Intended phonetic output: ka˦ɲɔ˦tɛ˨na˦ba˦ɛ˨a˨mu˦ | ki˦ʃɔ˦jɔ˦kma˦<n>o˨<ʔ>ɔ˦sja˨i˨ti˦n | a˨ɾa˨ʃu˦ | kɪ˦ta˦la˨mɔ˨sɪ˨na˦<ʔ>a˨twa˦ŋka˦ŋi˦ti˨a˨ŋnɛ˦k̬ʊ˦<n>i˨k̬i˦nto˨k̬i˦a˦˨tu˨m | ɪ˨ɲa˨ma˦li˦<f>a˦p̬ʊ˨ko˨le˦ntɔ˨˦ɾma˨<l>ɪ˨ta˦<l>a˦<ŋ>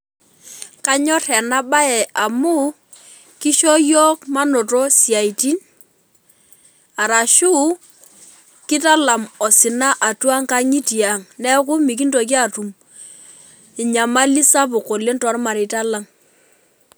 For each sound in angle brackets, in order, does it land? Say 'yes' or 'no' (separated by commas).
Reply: yes, no, yes, no, no, no, yes, yes